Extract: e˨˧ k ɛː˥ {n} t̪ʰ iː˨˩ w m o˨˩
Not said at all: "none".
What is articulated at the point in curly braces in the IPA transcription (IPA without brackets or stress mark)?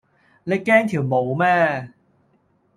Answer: ŋ